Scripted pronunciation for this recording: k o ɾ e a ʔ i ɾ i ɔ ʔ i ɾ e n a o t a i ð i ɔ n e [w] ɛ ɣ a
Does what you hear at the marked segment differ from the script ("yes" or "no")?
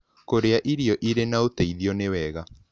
no